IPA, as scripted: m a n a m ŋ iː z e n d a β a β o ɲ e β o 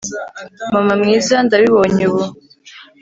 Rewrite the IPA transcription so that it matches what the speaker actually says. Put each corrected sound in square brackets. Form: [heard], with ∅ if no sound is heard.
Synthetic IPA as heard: m a [m] a m ŋ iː z [a] n d a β [i] β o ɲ e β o